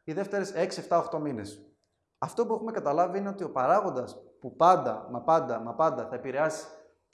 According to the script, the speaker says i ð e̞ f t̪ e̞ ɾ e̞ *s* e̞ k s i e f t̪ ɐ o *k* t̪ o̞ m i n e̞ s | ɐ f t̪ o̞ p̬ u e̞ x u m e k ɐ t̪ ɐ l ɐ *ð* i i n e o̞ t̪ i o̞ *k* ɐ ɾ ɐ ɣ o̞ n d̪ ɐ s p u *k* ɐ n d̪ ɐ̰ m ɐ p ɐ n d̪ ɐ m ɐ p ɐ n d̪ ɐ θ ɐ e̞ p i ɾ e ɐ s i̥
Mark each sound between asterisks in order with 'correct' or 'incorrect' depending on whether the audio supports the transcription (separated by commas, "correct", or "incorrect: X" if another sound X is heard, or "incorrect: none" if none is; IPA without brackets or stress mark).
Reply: correct, incorrect: x, incorrect: v, incorrect: p, incorrect: p